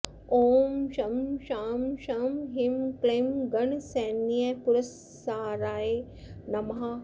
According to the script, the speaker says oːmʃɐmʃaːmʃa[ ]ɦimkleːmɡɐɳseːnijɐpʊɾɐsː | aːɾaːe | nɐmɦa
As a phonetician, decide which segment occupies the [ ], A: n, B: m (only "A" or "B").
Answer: B